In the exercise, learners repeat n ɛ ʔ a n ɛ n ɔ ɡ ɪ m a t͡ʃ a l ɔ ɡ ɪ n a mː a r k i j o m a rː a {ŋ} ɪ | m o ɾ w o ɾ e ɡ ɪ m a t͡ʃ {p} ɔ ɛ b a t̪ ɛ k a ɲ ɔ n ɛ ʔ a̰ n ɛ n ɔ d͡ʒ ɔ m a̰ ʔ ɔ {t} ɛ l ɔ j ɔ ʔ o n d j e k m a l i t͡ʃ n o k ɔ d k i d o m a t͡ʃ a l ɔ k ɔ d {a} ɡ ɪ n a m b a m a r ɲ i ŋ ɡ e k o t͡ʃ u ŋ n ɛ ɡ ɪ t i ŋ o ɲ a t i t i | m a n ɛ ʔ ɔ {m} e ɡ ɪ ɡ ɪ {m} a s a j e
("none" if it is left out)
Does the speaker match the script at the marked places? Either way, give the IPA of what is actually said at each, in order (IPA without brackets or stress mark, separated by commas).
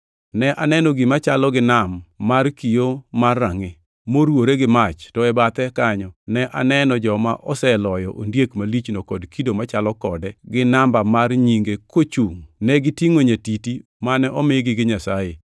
ŋ, t, s, ɛ, m, ɲ